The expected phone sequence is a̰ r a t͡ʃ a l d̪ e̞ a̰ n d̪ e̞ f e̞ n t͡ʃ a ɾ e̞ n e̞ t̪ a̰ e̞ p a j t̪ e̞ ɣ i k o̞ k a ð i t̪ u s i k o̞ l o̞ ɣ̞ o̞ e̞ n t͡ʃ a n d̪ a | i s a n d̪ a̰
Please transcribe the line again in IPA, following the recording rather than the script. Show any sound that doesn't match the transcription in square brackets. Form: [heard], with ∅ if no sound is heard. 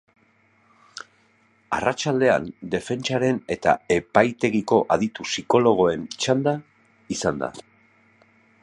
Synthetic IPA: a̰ r a t͡ʃ a l d̪ e̞ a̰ n d̪ e̞ f e̞ n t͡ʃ a ɾ e̞ n e̞ t̪ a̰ e̞ p a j t̪ e̞ ɣ i k o̞ [ʔ] a ð i t̪ u s i k o̞ l o̞ ɣ̞ o̞ e̞ n t͡ʃ a n d̪ a | i s a n d̪ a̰